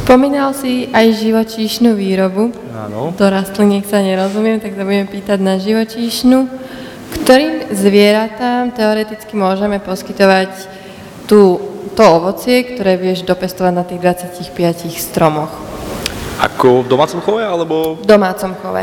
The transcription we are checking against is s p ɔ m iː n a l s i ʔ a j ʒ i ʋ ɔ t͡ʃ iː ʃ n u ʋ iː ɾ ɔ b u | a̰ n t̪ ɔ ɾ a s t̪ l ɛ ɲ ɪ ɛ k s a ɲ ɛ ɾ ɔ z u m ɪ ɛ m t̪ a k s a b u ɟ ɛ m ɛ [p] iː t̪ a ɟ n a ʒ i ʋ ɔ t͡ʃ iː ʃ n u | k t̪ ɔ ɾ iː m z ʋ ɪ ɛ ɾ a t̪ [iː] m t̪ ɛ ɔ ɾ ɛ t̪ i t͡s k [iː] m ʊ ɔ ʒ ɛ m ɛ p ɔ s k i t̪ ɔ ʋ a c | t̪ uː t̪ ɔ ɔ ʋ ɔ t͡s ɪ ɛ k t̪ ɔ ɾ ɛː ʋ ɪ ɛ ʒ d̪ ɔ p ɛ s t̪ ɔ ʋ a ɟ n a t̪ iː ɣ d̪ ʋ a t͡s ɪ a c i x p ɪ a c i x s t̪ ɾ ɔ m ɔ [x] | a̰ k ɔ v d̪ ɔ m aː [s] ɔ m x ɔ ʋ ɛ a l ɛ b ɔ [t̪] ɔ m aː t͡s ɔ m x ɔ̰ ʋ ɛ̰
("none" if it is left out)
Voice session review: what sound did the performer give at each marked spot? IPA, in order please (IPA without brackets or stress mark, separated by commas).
p, aː, i, x, t͡s, d̪